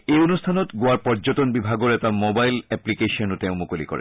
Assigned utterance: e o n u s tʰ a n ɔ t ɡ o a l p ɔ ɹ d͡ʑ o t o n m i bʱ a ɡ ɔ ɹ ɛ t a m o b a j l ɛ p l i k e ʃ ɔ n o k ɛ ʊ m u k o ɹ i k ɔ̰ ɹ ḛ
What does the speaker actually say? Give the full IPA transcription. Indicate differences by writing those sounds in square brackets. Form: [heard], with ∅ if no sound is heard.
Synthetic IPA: e o n u s tʰ a n ɔ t ɡ o a [ɹ] p ɔ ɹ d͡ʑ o t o n [b] i bʱ a ɡ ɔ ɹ ɛ t a m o b a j l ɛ p l i k e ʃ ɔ n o [t] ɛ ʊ m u k o [l] i k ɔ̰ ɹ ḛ